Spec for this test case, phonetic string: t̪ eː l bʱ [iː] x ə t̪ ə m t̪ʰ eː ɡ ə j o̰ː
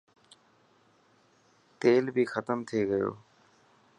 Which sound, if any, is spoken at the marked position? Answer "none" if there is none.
iː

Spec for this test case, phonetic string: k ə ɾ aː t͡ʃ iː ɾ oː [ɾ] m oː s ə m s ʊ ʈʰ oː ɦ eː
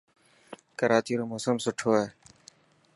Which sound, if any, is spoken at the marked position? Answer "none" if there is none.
none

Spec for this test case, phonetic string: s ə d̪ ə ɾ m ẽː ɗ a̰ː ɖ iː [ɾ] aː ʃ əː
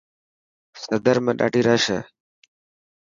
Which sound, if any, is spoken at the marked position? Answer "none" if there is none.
ɾ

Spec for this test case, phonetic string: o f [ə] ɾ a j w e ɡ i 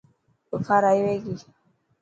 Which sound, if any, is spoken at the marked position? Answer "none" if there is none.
a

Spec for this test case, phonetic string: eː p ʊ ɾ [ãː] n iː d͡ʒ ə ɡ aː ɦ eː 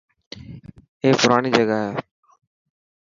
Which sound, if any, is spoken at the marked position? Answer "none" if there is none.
aː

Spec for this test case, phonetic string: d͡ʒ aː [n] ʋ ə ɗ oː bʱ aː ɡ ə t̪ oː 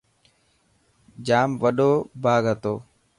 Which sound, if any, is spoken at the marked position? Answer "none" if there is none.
m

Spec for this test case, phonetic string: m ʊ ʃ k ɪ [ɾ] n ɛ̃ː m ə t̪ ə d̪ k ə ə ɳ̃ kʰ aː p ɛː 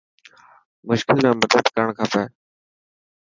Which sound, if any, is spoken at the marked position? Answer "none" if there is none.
l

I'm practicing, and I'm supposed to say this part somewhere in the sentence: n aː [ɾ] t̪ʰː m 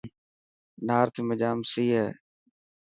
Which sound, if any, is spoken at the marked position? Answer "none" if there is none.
ɾ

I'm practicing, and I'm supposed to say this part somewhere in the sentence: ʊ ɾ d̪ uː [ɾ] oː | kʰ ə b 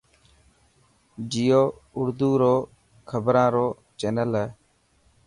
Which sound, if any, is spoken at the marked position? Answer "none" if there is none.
ɾ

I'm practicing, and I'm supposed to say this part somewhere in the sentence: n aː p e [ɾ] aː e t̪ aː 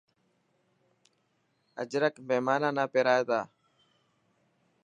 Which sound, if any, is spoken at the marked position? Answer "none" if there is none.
ɾ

